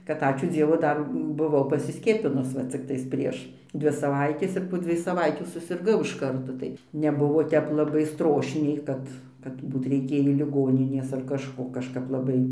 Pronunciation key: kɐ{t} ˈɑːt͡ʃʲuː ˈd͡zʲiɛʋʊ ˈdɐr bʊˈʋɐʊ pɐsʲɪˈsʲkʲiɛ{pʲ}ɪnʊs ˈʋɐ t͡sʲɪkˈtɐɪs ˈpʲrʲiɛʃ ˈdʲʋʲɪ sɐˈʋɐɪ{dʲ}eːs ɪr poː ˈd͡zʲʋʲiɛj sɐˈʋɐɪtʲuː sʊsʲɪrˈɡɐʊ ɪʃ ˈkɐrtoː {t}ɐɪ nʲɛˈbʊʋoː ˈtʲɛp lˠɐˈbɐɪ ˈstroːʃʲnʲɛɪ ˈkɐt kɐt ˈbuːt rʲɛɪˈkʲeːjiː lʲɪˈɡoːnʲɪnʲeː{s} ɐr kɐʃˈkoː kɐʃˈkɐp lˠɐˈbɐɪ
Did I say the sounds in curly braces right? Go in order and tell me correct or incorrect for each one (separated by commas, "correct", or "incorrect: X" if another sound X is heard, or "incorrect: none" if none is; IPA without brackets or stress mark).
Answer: correct, correct, incorrect: tʲ, correct, correct